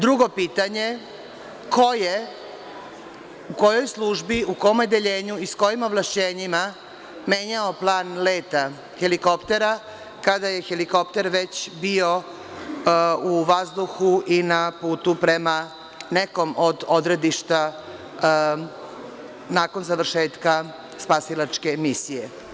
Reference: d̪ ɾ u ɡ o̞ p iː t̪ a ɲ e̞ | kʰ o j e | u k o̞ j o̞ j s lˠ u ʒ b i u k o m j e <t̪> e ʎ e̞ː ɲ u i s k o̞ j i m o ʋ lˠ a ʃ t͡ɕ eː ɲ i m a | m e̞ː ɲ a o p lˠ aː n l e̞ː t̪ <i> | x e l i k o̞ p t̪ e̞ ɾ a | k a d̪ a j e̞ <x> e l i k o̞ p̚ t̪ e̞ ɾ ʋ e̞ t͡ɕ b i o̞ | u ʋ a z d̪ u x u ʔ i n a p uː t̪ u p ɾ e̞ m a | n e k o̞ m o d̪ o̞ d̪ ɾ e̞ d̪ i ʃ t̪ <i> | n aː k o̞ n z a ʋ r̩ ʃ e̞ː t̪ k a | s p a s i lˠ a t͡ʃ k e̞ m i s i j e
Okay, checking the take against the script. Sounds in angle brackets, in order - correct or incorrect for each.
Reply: incorrect, incorrect, correct, incorrect

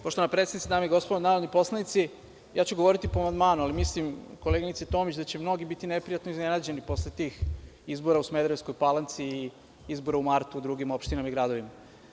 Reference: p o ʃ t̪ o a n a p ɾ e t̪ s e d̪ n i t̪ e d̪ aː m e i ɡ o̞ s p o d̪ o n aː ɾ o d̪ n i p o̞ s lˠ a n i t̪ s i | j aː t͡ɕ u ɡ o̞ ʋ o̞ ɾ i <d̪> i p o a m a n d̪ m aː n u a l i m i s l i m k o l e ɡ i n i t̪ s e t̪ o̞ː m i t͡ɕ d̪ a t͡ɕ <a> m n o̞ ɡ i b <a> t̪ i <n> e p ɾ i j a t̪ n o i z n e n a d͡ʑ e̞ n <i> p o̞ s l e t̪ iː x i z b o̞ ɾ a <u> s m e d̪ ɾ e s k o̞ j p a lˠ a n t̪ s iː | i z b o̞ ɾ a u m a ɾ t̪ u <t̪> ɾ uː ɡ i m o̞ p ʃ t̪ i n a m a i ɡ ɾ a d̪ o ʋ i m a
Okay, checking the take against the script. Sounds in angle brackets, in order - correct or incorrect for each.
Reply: incorrect, incorrect, incorrect, correct, correct, correct, incorrect

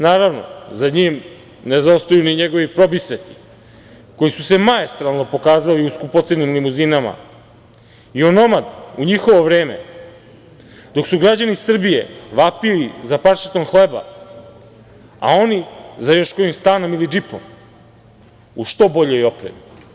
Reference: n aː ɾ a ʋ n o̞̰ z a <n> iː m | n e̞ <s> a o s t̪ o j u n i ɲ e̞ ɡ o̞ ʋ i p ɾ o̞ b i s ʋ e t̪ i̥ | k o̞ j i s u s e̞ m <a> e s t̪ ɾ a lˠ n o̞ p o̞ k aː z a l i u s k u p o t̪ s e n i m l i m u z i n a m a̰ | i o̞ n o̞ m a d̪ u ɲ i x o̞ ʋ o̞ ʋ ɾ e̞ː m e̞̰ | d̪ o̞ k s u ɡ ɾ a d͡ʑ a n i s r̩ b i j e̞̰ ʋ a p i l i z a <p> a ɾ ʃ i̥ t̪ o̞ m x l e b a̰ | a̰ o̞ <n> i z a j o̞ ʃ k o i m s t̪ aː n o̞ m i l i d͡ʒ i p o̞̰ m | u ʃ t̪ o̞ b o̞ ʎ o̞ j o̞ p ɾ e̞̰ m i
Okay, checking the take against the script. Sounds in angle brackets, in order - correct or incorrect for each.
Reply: incorrect, incorrect, correct, correct, correct

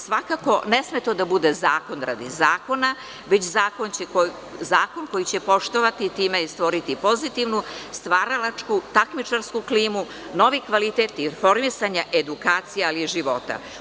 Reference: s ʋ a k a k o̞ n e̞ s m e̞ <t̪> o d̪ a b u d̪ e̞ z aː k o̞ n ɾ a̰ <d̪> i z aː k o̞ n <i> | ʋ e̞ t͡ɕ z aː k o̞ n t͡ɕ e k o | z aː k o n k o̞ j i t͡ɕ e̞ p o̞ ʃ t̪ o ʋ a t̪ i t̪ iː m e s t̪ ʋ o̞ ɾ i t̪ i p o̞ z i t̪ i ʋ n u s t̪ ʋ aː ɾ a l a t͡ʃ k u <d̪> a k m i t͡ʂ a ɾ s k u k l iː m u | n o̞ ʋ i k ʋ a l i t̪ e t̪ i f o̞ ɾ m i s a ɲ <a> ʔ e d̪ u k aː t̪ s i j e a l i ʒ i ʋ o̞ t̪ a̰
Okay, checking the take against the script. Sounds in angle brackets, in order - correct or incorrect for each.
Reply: correct, correct, incorrect, incorrect, correct

